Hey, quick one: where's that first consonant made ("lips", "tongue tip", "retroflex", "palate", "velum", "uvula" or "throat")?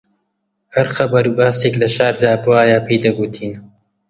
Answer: throat